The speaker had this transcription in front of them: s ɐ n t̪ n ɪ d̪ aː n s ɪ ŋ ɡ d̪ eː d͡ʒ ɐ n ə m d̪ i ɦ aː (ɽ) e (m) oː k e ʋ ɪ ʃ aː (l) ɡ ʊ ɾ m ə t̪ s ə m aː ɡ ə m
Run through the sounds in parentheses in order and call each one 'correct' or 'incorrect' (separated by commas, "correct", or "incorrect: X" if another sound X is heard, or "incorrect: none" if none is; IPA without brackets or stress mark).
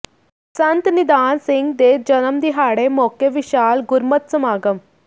correct, correct, correct